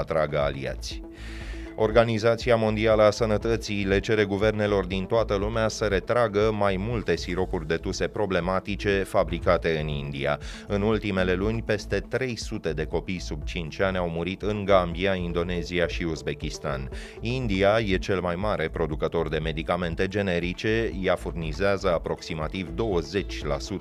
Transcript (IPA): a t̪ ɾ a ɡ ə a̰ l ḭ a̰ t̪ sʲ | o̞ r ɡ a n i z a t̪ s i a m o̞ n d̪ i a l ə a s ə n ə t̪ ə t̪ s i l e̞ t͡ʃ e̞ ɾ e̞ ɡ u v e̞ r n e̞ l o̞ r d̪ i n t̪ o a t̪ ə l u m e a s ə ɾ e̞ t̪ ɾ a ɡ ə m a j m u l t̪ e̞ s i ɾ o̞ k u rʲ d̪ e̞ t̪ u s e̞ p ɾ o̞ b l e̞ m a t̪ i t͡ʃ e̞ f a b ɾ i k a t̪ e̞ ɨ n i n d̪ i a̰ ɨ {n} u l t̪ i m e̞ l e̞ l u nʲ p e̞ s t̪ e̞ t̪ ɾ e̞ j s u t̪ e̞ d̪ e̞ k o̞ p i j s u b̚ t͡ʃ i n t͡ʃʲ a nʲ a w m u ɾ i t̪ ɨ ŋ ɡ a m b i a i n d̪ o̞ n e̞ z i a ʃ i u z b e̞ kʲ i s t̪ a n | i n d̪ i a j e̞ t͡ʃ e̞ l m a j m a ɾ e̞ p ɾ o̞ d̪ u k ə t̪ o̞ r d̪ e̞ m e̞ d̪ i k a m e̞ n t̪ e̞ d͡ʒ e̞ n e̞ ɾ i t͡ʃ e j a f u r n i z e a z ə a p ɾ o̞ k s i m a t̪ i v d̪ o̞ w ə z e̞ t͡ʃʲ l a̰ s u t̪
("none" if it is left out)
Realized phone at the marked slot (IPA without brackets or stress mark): n